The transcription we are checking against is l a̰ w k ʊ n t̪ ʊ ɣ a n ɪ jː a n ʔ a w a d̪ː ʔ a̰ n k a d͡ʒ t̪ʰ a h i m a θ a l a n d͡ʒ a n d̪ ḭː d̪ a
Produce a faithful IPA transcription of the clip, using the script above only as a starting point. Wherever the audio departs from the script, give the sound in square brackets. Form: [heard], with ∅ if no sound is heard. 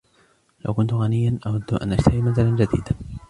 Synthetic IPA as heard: l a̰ w k ʊ n t̪ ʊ ɣ a n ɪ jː a n ʔ a w a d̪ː ʔ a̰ n [ʔ] a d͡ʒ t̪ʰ a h i m a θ a l a n d͡ʒ a [∅] d̪ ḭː d̪ a